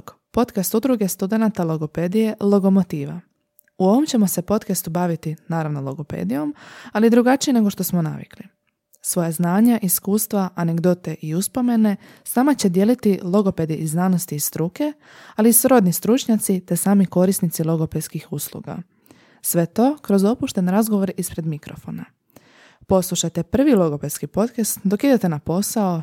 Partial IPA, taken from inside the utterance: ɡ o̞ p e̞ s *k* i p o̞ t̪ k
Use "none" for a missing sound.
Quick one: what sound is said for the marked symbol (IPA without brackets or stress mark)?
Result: k